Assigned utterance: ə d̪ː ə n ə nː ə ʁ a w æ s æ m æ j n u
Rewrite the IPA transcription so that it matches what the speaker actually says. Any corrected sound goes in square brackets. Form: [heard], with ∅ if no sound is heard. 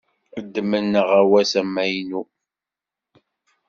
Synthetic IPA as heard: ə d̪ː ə [m] ə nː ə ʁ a w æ s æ m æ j n u